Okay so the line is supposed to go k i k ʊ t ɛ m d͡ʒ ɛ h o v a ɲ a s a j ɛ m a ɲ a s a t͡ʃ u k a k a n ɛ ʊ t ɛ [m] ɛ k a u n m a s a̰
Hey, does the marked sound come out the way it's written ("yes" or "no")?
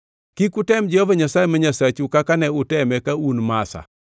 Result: yes